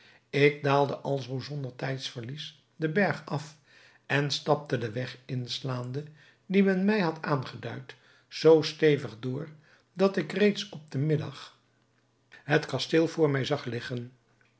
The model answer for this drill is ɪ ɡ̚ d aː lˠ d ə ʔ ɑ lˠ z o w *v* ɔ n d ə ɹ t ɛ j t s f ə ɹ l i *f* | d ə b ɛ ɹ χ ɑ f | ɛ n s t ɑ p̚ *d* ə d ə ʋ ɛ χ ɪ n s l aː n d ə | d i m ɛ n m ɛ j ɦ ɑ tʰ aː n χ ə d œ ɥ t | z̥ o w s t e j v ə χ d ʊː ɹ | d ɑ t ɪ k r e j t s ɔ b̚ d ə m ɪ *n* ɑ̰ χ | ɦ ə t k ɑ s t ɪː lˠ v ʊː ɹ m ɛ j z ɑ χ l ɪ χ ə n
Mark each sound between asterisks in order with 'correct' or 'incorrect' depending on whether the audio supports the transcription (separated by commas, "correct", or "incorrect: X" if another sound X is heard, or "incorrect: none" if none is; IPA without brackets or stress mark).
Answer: incorrect: z, incorrect: s, incorrect: t, incorrect: d